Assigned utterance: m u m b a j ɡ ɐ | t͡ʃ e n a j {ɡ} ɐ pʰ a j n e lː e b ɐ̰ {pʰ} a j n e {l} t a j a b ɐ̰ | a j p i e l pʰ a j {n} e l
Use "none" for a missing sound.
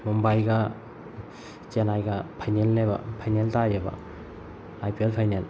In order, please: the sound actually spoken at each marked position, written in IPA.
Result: ɡ, pʰ, l, n

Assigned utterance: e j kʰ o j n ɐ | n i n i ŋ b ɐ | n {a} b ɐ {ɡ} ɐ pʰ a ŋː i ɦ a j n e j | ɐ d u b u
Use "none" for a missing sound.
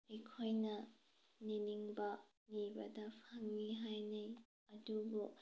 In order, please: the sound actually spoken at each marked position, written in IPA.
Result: i, d

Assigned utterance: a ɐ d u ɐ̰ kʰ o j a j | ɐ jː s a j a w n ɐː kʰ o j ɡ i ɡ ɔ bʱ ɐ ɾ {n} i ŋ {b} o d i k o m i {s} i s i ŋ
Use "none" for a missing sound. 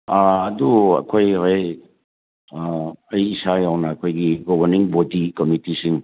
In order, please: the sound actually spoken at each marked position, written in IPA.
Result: n, b, t

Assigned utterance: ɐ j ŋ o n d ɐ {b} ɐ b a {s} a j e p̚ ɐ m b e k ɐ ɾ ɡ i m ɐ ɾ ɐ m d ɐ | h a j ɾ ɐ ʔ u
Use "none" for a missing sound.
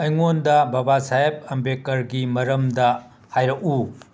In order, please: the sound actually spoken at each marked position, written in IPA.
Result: b, s

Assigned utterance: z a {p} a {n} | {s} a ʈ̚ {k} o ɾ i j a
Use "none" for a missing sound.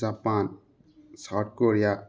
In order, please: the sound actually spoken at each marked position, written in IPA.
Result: p, n, s, k

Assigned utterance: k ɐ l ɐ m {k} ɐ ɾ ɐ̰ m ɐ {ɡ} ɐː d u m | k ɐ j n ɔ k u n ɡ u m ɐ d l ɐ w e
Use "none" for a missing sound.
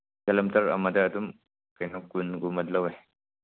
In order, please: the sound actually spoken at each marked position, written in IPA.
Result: t, d

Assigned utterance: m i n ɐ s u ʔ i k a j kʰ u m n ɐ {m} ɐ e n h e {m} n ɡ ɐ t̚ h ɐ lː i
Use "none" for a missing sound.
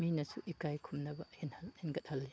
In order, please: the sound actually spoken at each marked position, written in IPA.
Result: b, none

